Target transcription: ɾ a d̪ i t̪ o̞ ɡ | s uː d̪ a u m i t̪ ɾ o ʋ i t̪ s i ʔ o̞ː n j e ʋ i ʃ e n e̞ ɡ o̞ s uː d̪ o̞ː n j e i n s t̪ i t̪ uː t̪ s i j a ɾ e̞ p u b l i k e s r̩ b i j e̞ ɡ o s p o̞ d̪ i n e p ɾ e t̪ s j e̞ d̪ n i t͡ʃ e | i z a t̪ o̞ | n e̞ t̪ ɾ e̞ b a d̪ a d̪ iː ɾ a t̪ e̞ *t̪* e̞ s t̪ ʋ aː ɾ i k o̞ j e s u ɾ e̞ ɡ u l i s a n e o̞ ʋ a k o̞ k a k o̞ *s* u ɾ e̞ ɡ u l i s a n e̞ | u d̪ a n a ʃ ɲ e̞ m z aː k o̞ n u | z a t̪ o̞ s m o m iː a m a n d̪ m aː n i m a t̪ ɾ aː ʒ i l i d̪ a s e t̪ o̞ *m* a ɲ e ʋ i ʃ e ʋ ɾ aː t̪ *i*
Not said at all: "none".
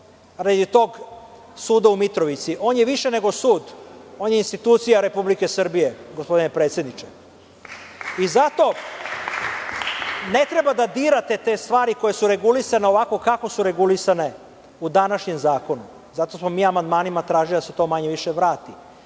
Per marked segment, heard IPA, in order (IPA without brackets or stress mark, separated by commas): t̪, s, m, i